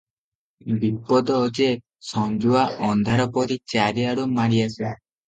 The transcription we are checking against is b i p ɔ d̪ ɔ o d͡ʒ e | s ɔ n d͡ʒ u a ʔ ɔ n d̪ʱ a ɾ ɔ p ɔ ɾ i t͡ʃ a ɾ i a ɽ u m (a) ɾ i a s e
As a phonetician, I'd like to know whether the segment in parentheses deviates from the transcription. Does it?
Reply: no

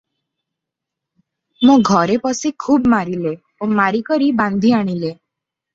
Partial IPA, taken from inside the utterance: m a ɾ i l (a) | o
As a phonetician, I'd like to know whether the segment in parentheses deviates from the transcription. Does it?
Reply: yes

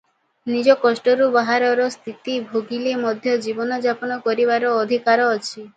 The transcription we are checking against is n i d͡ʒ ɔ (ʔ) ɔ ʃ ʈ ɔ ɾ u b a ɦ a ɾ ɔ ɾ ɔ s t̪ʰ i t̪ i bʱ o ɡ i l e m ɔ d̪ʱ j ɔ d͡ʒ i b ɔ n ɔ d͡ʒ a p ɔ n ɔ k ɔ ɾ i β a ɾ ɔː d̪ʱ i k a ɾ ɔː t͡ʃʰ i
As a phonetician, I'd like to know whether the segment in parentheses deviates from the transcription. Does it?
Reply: yes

